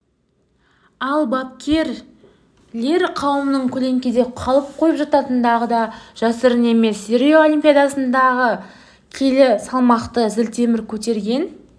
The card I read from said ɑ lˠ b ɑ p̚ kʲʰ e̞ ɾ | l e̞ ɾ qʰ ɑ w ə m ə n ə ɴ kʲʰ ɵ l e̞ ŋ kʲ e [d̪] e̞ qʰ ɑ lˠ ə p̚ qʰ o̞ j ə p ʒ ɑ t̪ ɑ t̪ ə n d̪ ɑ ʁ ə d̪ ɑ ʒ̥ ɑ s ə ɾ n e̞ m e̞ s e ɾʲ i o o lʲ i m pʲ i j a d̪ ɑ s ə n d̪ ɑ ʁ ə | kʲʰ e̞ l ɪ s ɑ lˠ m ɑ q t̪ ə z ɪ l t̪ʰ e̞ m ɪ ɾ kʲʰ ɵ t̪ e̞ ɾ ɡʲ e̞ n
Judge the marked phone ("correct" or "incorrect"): correct